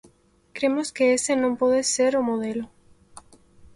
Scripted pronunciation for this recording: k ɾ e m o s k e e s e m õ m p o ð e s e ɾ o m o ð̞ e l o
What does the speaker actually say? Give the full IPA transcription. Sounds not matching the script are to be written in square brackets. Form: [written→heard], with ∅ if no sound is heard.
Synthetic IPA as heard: k ɾ e m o s k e e s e [m→n] õ m p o ð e s e ɾ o m o ð̞ e l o